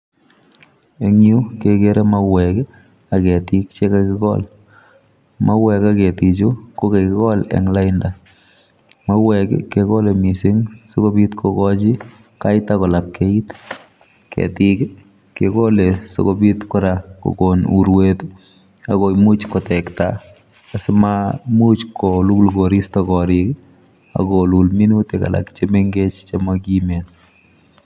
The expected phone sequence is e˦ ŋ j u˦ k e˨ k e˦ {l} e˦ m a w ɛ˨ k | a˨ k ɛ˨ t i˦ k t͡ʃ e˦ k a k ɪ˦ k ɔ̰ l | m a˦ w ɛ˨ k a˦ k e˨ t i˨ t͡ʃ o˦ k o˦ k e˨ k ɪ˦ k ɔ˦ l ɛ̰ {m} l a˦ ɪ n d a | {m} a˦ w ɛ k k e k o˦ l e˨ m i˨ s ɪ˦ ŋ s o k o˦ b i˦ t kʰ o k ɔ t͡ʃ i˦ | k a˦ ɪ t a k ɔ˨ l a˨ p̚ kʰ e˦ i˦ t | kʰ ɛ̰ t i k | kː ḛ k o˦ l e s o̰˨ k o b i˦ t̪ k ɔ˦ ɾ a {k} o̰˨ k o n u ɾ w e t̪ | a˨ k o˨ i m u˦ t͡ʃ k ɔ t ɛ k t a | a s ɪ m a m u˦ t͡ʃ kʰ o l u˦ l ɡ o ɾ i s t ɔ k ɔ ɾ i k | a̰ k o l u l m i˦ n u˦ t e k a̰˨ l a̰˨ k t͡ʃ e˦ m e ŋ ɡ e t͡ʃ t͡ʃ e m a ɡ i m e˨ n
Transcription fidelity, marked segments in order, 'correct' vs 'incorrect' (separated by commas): incorrect, incorrect, correct, correct